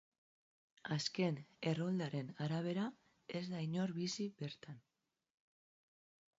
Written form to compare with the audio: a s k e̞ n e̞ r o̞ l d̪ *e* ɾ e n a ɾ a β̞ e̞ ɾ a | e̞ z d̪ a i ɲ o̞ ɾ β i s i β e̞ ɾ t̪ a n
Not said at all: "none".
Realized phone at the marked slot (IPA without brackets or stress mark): a